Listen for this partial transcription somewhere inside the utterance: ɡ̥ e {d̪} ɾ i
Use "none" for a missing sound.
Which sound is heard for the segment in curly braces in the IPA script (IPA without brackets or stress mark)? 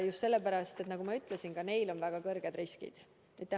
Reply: d̪